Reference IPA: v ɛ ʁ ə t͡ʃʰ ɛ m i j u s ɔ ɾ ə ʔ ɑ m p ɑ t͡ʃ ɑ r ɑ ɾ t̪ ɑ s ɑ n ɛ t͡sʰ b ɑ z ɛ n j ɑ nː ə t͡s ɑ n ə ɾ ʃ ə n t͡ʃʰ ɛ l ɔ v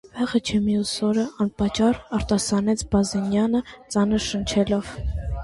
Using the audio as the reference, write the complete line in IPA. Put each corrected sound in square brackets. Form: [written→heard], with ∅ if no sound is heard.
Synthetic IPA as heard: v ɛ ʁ ə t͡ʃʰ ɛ m i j u s ɔ ɾ ə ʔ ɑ [m→n] p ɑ t͡ʃ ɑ r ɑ ɾ t̪ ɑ s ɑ n ɛ t͡sʰ b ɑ z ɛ n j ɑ [nː→n] ə t͡s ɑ n ə ɾ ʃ ə n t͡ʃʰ ɛ l ɔ v